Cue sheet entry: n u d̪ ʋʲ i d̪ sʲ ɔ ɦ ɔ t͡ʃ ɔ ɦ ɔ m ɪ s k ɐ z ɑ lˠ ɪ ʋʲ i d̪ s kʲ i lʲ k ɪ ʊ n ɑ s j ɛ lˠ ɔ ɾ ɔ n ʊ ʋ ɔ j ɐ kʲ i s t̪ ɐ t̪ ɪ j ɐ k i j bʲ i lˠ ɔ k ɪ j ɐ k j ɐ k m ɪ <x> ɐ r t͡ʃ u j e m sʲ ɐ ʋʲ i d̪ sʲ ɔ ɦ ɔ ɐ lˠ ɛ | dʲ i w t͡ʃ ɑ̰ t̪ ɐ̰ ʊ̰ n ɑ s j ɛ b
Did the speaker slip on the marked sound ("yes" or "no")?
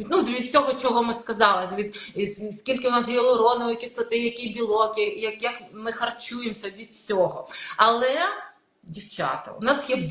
no